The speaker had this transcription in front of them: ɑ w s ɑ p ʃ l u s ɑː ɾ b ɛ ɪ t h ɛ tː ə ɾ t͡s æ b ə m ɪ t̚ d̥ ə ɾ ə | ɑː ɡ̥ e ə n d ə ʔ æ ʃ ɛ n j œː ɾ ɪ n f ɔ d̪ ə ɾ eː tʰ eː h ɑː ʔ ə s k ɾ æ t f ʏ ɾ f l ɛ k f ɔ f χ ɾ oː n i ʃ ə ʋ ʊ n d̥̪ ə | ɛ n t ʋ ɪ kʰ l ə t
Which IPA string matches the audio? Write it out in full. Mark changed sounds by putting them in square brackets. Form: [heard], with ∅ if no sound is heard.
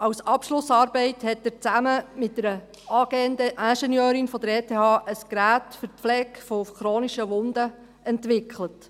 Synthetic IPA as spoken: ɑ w s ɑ p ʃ l [ʊ] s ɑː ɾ b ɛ ɪ t h ɛ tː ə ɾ t͡s æ [m] ə m ɪ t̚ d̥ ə ɾ ə | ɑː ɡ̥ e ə n d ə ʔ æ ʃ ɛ n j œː ɾ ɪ n f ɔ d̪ ə ɾ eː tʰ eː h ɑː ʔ ə s k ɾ [æː] t f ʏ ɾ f l ɛ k f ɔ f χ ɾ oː n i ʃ ə ʋ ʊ n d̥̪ ə | ɛ n t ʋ ɪ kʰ l ə t